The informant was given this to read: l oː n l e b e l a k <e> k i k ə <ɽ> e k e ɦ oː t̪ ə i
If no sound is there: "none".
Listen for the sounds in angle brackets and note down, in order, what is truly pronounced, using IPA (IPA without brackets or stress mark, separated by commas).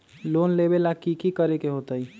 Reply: i, ɾ